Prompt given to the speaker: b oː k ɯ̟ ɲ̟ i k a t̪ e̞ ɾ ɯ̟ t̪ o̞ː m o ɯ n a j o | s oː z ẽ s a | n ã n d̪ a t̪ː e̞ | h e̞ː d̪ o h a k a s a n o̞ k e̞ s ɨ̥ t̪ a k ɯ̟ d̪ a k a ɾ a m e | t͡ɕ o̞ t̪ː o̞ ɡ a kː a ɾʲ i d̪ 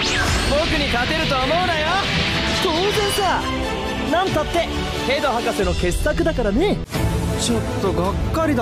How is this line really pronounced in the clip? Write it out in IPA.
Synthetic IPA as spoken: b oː k ɯ̟ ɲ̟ i k a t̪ e̞ ɾ ɯ̟ t̪ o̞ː m o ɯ n a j o | s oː z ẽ s a | n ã n t̪ a t̪ː e̞ | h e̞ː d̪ o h a k a s e n o̞ k e̞ s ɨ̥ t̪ a k ɯ̟ d̪ a k a ɾ a n e | t͡ɕ o̞ t̪ː o̞ ɡ a kː a ɾʲ i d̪

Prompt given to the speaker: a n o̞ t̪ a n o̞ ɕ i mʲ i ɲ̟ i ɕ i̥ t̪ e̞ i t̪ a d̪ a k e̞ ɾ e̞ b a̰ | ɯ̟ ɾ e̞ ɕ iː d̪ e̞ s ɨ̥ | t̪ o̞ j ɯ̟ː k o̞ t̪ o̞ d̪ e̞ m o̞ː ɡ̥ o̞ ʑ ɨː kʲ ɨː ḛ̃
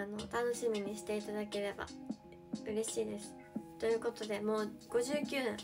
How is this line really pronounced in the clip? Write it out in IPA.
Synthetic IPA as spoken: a n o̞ t̪ a n o̞ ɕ i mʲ i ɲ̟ i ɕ i̥ t̪ e̞ i t̪ a d̪ a k e̞ ɾ e̞ b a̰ | ɯ̟ ɾ e̞ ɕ iː d̪ e̞ s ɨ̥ | t̪ o̞ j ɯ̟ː k o̞ t̪ o̞ d̪ e̞ m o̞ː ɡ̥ o̞ ʑ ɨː kʲ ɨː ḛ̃

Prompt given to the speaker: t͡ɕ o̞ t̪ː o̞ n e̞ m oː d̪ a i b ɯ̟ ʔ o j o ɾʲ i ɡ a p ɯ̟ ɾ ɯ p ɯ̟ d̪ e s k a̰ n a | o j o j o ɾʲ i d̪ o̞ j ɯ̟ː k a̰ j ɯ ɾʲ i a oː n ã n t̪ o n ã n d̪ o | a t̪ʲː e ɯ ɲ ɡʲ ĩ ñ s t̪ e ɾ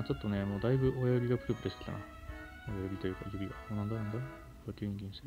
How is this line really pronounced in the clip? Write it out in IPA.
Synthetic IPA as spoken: t͡ɕ o̞ t̪ː o̞ n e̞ m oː d̪ a i b ɯ̟ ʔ o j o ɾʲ i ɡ a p ɯ̟ ɾ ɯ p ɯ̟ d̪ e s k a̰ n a | o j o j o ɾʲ i t̪ o̞ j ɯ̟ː k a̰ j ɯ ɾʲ i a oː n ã n d̪ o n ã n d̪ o | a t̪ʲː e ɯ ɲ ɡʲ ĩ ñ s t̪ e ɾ

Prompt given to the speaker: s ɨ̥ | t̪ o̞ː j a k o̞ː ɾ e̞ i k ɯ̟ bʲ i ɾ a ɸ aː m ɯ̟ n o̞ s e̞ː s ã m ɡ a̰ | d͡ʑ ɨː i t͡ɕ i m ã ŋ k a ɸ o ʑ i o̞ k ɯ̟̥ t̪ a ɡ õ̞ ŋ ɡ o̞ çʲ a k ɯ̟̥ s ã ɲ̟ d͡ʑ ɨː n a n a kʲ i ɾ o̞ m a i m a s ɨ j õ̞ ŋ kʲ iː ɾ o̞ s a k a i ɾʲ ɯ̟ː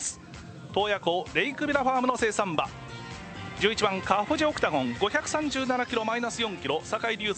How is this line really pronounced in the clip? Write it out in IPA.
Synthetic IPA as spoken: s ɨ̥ | t̪ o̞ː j a k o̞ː ɾ e̞ i k ɯ̟ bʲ i ɾ a ɸ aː m ɯ̟ n o̞ s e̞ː s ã m b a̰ | d͡ʑ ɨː i t͡ɕ i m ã ŋ k a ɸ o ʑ i o̞ k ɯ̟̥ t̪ a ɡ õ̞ ŋ ɡ o̞ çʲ a k ɯ̟̥ s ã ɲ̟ d͡ʑ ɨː n a n a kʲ i ɾ o̞ m a i n a s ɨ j õ̞ ŋ kʲ i ɾ o̞ s a k a i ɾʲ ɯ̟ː

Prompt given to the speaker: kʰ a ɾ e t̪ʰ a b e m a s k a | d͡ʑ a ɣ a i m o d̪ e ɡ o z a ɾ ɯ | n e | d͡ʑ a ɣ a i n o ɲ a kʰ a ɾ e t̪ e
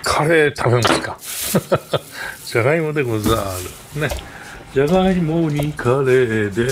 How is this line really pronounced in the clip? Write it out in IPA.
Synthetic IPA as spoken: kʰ a ɾ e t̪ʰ a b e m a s k a | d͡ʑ a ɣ a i m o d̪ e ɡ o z a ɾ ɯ | n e | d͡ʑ a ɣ a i m o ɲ i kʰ a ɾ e d̪ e

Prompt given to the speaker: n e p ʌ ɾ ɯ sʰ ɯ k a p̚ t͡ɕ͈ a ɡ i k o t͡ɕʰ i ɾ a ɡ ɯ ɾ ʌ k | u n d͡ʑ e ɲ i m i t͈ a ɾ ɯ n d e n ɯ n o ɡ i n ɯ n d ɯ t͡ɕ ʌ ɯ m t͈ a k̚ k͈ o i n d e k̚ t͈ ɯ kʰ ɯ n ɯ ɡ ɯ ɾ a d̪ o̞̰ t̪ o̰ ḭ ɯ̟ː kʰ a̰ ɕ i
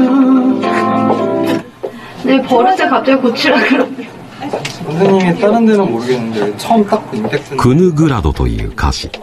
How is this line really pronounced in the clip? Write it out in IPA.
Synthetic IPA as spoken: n e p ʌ ɾ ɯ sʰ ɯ k a p̚ t͡ɕ͈ a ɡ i k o t͡ɕʰ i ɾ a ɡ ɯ ɾ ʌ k | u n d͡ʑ e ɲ i m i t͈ a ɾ ɯ n d e n ɯ n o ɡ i n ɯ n d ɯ t͡ɕʰ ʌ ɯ m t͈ a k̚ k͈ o i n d e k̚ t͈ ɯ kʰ ɯ n ɯ ɡ ɯ ɾ a d̪ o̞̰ t̪ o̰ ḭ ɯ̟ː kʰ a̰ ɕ i

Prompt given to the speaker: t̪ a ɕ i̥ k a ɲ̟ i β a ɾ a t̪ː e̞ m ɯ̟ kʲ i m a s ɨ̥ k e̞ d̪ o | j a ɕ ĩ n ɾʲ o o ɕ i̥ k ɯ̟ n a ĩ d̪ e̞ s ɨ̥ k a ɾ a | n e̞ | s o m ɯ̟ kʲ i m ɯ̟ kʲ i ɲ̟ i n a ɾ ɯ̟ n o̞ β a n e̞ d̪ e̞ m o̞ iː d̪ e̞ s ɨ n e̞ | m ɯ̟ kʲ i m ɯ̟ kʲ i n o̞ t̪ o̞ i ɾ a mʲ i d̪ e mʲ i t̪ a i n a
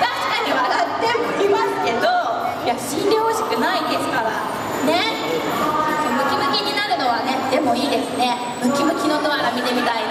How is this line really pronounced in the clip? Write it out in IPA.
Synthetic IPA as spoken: t̪ a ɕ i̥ k a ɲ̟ i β a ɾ a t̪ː e̞ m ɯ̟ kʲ i m a s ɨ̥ k e̞ d̪ o | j a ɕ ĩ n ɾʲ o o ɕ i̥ k ɯ̟ n a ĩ d̪ e̞ s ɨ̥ k a ɾ a | n e̞ | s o m ɯ̟ kʲ i m ɯ̟ kʲ i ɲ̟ i n a ɾ ɯ̟ n o̞ β a n e̞ d̪ e̞ m o̞ iː d̪ e̞ s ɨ n e̞ | m ɯ̟ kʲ i m ɯ̟ kʲ i n o̞ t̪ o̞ a ɾ a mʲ i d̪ e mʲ i t̪ a i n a

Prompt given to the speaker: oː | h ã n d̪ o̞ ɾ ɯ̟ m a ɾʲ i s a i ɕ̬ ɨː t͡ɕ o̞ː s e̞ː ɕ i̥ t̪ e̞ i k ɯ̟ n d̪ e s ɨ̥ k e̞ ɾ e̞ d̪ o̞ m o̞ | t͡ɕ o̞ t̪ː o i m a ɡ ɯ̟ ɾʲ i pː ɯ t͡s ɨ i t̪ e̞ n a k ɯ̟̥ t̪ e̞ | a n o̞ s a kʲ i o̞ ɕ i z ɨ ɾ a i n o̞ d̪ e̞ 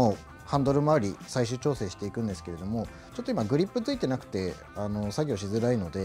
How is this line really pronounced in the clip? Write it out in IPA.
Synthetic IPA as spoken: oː | h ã n d̪ o̞ ɾ ɯ̟ m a ɾʲ i s a i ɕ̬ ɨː t͡ɕ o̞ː s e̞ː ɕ i̥ t̪ e̞ i k ɯ̟̃ n d̪ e s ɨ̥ k e̞ ɾ e̞ d̪ o̞ m o̞ | t͡ɕ o̞ t̪ː o i m a ɡ ɯ̟ ɾʲ i pː ɯ t͡s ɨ i t̪ e̞ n a k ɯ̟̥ t̪ e̞ | a n o̞ s a ɡʲ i o̞ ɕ i z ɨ ɾ a i n o̞ d̪ e̞

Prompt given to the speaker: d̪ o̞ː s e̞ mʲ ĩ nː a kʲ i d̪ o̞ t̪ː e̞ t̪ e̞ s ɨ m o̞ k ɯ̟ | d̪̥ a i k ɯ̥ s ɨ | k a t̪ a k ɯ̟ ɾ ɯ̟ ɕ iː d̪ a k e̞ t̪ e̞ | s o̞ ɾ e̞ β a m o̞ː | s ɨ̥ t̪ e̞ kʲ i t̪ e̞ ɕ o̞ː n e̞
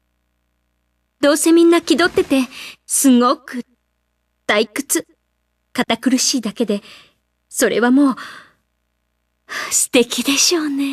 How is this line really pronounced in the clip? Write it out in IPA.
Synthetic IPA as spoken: d̪ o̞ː s e̞ mʲ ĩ nː a kʲ i d̪ o̞ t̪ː e̞ t̪ e̞ s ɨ ŋ o̞ k ɯ̟ | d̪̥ a i k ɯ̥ t͡s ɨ | k a t̪ a k ɯ̟ ɾ ɯ̟ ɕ iː d̪ a k e̞ d̪ e̞ | s o̞ ɾ e̞ β a m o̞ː | s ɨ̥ t̪ e̞ kʲ i d̪ e̞ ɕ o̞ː n e̞

